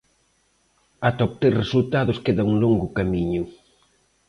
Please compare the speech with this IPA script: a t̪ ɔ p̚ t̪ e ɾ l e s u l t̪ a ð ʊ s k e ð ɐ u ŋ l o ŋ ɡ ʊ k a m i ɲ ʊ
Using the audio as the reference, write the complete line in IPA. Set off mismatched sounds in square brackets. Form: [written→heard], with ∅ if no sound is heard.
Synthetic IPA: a t̪ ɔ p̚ t̪ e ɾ [l→r] e s u l t̪ a ð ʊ s k e ð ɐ u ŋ l o ŋ ɡ ʊ k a m i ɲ ʊ